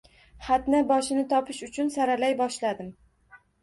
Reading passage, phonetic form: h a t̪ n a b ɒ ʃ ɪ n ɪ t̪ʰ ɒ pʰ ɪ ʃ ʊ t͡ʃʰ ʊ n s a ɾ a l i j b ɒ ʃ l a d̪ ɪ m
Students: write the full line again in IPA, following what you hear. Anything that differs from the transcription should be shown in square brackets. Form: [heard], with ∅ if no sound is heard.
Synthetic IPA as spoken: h a t̪ n a b ɒ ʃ ɪ n ɪ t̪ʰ ɒ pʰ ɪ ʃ ʊ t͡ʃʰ ʊ n s a ɾ a l [a] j b ɒ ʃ l a d̪ ɪ m